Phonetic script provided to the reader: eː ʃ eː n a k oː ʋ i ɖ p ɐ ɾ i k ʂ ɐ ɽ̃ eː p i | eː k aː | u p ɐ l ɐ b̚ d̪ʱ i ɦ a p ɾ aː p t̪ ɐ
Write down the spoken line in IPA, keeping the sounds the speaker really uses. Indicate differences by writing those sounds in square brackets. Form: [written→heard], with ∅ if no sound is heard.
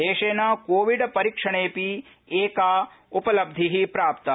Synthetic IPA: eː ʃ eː n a k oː ʋ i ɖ p ɐ ɾ i k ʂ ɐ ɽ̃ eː p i | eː k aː | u p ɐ l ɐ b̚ d̪ʱ i ɦ [a→i] p ɾ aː p t̪ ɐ